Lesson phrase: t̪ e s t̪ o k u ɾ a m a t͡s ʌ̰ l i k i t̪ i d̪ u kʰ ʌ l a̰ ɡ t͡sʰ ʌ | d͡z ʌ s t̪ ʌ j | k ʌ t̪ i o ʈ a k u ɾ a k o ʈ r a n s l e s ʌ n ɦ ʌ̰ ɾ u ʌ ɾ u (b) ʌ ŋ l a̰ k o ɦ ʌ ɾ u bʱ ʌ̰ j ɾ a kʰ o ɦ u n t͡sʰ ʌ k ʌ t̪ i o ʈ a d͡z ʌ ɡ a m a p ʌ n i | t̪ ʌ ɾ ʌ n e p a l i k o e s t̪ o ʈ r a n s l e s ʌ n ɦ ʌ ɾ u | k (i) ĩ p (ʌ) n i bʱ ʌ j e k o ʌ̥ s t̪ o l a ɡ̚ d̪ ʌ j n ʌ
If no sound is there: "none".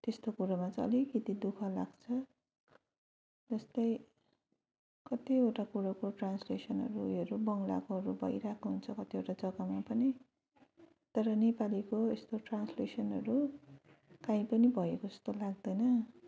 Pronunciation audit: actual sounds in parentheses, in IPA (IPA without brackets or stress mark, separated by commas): b, a, ʌ